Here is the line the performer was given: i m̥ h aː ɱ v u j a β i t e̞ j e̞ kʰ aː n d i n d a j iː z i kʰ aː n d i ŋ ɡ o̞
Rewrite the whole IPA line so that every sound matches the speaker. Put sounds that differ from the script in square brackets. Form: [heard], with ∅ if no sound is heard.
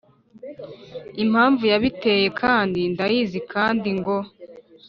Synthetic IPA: i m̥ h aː ɱ v u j a β i t e̞ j e̞ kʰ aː n d i n d a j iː z i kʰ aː n d i ŋ ɡ o̞